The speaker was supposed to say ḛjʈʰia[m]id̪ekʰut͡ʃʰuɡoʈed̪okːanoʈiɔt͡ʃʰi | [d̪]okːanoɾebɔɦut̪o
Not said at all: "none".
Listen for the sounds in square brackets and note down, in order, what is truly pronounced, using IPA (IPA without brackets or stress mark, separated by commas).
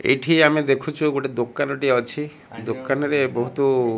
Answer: m, d̪